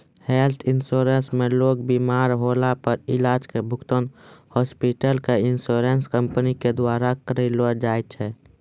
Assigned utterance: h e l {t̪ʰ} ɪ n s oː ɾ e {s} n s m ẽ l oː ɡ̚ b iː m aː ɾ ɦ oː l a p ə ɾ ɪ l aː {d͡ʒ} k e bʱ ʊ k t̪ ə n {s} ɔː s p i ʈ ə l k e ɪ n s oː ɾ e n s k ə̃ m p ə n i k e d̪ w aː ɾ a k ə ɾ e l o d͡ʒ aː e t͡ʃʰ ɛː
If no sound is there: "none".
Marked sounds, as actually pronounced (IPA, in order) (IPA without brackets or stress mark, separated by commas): t̪ʰ, none, d͡ʒ, h